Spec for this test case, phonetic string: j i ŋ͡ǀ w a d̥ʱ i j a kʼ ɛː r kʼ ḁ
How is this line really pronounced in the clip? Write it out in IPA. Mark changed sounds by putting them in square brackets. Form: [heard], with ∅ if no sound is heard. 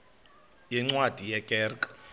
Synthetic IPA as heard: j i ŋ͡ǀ w a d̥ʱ i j [ɛ] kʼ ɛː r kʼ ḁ